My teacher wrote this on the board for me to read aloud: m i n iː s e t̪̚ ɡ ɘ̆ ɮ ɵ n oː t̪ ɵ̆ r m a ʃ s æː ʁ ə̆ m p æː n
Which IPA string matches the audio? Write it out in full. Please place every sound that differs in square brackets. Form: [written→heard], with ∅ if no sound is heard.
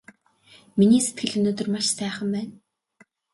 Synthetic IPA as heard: m i n iː s e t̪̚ ɡ ɘ̆ ɮ ɵ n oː t̪ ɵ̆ r m a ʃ s æː [ʁ→χ] ə̆ m p æː n